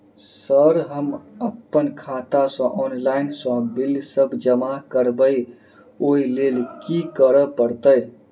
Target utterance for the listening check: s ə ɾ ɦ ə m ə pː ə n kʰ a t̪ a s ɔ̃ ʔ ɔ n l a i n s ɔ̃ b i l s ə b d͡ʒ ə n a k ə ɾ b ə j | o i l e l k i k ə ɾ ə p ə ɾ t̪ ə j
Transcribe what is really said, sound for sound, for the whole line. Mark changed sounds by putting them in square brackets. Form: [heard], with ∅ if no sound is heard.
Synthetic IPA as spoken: s ə ɾ ɦ ə m ə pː ə n kʰ a t̪ a s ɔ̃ ʔ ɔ n l a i n s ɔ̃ b i l s ə b d͡ʒ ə [m] a k ə ɾ b ə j | o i l e l k i k ə ɾ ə p ə ɾ t̪ ə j

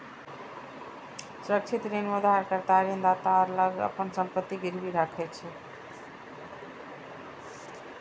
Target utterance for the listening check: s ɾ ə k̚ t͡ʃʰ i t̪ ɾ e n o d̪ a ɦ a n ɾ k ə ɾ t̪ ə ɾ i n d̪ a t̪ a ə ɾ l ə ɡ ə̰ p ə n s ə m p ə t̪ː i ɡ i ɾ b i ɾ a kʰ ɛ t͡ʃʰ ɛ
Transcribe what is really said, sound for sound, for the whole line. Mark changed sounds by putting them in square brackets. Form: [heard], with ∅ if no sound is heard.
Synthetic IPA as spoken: s ɾ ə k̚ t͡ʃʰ i t̪ ɾ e n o d̪ a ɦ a [∅] ɾ k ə ɾ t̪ [a] ɾ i n d̪ a t̪ a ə ɾ l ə ɡ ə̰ p ə n s ə m p ə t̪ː i ɡ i ɾ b i ɾ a kʰ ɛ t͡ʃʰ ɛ

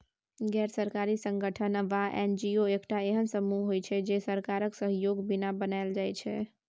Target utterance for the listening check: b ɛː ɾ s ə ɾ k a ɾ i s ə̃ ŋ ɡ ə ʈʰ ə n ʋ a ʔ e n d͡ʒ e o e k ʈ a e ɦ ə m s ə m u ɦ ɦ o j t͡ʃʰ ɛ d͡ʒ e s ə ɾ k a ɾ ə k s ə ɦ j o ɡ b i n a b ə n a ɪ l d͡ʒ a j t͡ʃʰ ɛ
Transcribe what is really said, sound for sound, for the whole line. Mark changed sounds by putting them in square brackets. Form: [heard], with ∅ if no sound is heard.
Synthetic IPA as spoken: [ɡ] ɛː ɾ s ə ɾ k a ɾ i s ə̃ ŋ ɡ ə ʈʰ ə n ʋ a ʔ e n d͡ʒ [i] o e k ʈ a e ɦ ə [n] s ə m u ɦ ɦ o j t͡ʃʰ ɛ d͡ʒ e s ə ɾ k a ɾ ə k s ə ɦ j o ɡ b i n a b ə n a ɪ l d͡ʒ a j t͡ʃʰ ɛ

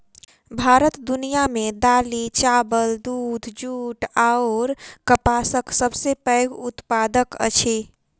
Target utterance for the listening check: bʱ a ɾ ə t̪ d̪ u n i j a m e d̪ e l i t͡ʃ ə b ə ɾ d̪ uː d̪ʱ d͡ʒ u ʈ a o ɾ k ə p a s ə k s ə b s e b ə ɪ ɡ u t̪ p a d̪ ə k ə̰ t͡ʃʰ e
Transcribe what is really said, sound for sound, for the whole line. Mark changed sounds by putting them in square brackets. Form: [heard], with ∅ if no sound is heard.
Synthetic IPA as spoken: bʱ a ɾ ə t̪ d̪ u n i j a m e d̪ [a] l i t͡ʃ [a] b ə [l] d̪ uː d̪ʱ d͡ʒ u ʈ a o ɾ k ə p a s ə k s ə b s e [p] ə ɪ ɡ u t̪ p a d̪ ə k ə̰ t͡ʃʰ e

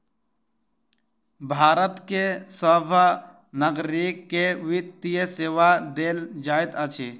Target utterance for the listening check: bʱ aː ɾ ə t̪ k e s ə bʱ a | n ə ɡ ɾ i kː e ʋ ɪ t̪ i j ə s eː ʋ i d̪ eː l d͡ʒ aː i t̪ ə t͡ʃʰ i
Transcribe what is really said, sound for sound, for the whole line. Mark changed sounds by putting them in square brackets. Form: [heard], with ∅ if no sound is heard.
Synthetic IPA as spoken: bʱ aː ɾ ə t̪ k e s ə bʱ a | n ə ɡ ɾ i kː e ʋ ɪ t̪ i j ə s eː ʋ [a] d̪ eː l d͡ʒ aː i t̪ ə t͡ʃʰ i

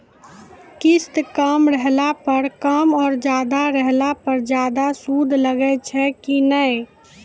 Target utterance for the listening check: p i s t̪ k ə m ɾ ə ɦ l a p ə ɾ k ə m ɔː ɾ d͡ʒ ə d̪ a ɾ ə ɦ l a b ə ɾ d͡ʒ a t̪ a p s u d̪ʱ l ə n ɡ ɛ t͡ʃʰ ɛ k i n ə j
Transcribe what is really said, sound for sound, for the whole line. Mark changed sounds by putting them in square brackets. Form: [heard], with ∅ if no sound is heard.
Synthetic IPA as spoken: [k] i s t̪ k ə m ɾ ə ɦ l a p ə ɾ k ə m ɔː ɾ d͡ʒ [a] d̪ a ɾ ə ɦ l a [p] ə ɾ d͡ʒ a [d̪] a [∅] s u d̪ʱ l ə [∅] ɡ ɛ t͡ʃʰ ɛ k i n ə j

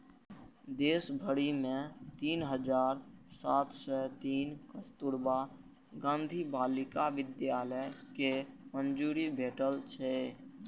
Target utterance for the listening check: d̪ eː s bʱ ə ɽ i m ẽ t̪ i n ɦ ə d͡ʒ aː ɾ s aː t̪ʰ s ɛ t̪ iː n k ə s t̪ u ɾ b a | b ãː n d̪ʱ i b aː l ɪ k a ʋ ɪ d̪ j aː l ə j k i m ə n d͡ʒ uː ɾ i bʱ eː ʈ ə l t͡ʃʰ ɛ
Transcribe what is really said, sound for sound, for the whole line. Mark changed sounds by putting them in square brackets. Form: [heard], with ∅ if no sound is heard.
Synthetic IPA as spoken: d̪ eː s bʱ ə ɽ i m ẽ t̪ [iː] n ɦ ə d͡ʒ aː ɾ s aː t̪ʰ s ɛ t̪ iː n k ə s t̪ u ɾ b a | [ɡ] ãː n d̪ʱ i b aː l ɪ k a ʋ ɪ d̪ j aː l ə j k [e] m ə n d͡ʒ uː ɾ i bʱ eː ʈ ə l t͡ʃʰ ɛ

